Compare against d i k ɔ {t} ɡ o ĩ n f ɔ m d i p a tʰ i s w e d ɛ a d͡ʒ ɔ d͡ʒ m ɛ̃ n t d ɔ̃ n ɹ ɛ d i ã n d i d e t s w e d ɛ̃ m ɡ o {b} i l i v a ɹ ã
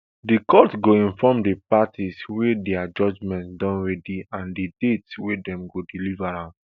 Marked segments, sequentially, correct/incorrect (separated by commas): correct, incorrect